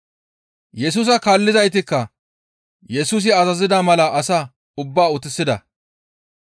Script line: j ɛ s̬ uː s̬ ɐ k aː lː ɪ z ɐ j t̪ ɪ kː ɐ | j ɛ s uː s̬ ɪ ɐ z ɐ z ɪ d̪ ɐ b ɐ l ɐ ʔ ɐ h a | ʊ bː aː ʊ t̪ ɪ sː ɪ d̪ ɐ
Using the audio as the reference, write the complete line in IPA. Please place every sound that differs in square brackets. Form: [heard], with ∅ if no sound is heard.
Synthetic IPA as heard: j ɛ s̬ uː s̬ ɐ k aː lː ɪ z ɐ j t̪ ɪ kː ɐ | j ɛ s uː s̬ ɪ ɐ z ɐ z ɪ d̪ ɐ [m] ɐ l ɐ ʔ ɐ [s] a | ʊ bː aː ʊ t̪ ɪ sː ɪ d̪ ɐ